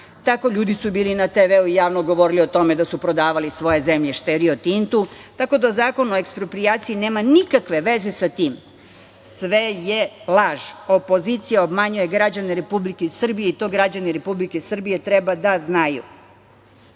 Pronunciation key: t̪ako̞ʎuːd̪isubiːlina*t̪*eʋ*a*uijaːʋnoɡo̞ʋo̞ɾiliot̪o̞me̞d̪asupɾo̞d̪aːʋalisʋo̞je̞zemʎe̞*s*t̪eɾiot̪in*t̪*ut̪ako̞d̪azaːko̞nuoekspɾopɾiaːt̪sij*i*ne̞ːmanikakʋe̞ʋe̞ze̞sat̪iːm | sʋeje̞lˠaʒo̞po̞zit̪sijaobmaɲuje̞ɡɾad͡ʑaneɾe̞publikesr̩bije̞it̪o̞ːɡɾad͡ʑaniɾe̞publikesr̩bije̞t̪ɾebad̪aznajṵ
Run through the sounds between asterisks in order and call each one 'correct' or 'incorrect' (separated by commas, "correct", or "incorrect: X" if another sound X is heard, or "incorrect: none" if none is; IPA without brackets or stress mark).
correct, incorrect: e, incorrect: ʃ, correct, correct